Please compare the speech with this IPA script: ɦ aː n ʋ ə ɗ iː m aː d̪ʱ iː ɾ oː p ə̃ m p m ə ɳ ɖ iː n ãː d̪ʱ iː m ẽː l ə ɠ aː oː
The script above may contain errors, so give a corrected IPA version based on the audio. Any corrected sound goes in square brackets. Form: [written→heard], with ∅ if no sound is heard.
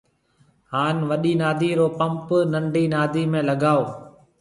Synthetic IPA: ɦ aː n ʋ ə ɗ iː [m→n] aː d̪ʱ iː ɾ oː p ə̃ m p [m→n] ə ɳ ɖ iː n [ãː→aː] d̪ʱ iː m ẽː l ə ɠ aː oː